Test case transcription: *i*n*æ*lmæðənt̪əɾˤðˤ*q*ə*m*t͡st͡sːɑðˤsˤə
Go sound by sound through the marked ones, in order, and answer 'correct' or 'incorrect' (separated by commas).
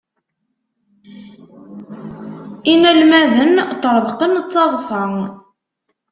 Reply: correct, correct, correct, incorrect